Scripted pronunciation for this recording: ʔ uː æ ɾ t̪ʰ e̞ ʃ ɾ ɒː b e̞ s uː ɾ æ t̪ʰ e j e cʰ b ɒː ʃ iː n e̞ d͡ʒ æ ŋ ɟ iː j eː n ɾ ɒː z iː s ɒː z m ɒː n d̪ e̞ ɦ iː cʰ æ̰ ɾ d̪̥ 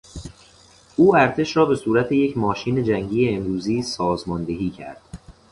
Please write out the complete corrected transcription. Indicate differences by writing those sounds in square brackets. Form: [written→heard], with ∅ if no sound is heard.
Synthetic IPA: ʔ uː æ ɾ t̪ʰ e̞ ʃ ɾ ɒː b e̞ s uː ɾ æ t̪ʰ e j e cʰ [b→m] ɒː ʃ iː n e̞ d͡ʒ æ ŋ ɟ iː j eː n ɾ [ɒː→uː] z iː s ɒː z m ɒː n d̪ e̞ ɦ iː cʰ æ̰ ɾ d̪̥